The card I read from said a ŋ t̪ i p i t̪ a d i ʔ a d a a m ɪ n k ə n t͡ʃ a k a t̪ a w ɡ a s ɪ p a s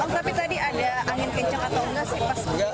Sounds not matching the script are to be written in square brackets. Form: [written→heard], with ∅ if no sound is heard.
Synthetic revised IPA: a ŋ t̪ [i→a] p i t̪ a d i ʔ a d a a [m→ŋ] ɪ n k ə [n→ɲ] t͡ʃ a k a t̪ a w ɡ a s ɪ p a s